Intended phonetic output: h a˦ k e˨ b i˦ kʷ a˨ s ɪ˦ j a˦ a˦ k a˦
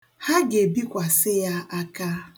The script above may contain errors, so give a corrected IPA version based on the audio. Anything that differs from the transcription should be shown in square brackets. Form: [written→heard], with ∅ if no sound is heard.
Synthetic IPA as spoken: h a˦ [k→ɡ] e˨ b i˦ kʷ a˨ s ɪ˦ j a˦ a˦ k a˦